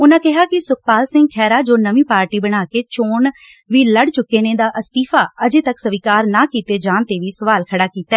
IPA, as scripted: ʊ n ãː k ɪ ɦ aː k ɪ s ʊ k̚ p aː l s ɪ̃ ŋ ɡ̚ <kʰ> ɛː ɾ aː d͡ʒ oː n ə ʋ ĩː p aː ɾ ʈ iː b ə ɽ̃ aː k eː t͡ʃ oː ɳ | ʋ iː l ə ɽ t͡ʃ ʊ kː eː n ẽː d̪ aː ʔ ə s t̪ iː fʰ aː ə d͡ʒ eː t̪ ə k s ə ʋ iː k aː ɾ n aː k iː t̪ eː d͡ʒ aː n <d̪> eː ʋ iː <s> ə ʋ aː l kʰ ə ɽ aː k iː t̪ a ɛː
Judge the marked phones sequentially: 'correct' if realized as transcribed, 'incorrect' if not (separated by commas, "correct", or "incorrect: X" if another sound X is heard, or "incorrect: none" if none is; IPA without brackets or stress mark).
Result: correct, incorrect: t̪, correct